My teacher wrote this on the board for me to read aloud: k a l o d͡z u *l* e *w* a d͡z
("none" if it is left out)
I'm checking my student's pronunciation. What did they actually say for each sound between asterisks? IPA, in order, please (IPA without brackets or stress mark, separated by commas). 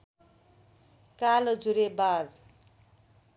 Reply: ɾ, b